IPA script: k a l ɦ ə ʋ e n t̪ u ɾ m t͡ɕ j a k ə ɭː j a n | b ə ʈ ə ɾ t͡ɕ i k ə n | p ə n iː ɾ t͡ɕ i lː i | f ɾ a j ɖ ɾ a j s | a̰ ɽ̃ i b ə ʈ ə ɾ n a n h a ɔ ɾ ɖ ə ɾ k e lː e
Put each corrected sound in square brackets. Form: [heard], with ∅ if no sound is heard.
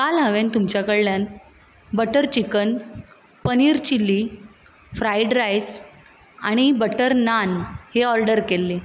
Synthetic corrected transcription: k a l ɦ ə ʋ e n t̪ u [∅] m t͡ɕ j a k ə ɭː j a n | b ə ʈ ə ɾ t͡ɕ i k ə n | p ə n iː ɾ t͡ɕ i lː i | f ɾ a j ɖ ɾ a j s | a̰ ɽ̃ i b ə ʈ ə ɾ n a n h [e] ɔ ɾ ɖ ə ɾ k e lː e